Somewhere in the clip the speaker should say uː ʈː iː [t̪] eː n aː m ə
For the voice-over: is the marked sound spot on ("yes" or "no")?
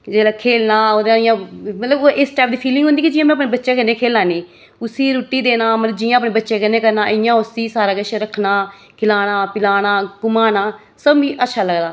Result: no